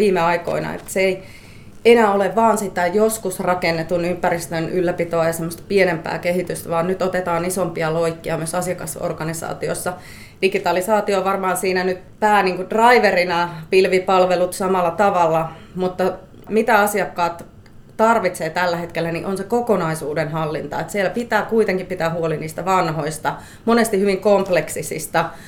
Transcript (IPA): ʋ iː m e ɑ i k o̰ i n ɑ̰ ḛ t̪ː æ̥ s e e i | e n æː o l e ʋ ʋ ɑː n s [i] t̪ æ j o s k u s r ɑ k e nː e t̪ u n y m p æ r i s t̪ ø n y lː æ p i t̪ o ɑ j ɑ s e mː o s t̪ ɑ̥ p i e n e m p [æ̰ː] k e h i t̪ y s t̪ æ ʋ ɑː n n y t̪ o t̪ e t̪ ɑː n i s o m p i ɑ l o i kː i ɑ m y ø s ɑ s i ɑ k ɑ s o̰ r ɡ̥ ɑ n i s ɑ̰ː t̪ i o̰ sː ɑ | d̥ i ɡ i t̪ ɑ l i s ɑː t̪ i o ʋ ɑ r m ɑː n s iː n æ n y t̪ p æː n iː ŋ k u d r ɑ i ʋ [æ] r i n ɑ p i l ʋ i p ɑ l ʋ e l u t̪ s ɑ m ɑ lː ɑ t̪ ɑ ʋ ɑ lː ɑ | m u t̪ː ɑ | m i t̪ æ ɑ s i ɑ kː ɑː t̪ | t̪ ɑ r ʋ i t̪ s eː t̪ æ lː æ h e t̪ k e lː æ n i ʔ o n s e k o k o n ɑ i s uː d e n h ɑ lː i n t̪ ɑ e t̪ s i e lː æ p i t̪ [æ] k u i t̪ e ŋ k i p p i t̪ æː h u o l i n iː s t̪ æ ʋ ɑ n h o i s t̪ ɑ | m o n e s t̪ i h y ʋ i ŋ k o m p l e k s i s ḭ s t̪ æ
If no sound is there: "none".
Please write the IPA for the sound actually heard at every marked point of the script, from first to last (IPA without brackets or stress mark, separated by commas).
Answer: i, æ̰ː, e, æː